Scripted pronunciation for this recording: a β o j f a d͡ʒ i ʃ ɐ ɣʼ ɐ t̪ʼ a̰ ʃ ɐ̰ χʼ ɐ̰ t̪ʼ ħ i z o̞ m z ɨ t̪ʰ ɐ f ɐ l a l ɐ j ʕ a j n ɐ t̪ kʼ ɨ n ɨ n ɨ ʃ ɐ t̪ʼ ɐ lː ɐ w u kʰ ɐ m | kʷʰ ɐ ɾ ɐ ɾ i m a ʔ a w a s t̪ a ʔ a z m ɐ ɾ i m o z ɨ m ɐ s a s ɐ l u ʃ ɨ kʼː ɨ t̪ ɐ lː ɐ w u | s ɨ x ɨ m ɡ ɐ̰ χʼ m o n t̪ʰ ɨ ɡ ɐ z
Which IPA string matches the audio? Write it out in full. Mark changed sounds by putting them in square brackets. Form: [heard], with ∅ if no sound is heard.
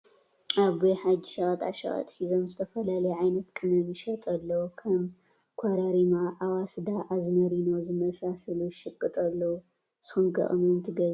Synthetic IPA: a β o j [ħ] a d͡ʒ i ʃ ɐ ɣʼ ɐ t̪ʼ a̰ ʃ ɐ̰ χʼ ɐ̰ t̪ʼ ħ i z o̞ m z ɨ t̪ʰ ɐ f ɐ l a l ɐ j ʕ a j n ɐ t̪ kʼ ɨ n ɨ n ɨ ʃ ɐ t̪ʼ ɐ lː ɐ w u kʰ ɐ m | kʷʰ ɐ ɾ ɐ ɾ i m a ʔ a w a s [d̪] a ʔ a z m ɐ ɾ i [n] o z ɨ m ɐ s a s ɐ l u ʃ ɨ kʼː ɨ [t̪ʼ] ɐ lː ɐ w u | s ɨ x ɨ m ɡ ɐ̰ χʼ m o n t̪ʰ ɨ ɡ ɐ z